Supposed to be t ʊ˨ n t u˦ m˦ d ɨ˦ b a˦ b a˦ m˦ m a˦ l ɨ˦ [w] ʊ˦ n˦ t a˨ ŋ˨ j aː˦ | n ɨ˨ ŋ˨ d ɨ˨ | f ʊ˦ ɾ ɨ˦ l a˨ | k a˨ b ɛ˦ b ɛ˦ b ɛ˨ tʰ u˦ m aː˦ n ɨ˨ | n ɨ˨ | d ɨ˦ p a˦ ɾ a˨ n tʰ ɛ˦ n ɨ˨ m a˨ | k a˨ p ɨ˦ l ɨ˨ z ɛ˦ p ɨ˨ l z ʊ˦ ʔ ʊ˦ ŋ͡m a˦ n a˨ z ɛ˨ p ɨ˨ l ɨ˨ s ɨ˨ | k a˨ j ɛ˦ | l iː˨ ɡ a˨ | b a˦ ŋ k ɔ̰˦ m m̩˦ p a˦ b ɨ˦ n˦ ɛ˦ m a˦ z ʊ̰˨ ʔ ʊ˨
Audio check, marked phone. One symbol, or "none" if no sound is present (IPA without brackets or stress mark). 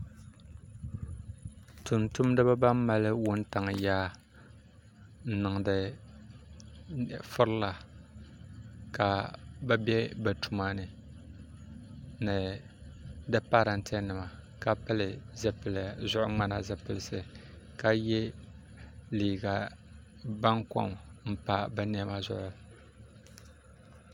w